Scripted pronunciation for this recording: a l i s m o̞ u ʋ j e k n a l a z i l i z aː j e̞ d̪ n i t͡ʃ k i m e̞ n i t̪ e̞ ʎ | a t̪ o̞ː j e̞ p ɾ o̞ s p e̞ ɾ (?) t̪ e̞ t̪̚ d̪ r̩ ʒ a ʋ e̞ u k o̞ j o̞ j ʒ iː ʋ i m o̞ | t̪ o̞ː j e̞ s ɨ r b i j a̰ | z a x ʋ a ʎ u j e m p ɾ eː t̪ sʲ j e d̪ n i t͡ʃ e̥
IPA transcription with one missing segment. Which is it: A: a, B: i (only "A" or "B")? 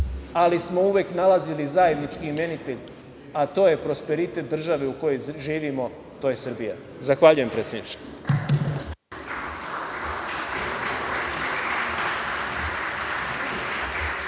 B